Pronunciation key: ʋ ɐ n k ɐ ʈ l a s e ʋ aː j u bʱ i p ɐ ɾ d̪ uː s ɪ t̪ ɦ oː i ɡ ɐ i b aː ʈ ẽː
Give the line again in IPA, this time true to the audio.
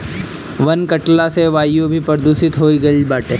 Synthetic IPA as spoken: ʋ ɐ n k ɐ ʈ l a s e ʋ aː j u bʱ i p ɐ ɾ d̪ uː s ɪ t̪ ɦ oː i ɡ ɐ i b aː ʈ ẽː